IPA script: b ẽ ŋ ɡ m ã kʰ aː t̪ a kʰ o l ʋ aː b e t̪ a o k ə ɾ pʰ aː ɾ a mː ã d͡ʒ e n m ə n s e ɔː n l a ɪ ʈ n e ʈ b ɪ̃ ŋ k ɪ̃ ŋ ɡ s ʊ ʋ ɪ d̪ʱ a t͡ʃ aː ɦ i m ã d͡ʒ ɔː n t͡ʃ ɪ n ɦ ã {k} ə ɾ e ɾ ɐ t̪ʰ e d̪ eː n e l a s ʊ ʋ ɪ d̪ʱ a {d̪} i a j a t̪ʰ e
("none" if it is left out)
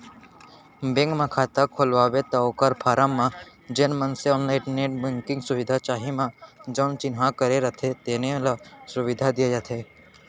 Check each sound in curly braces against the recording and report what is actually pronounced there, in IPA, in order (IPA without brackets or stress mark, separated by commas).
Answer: k, d̪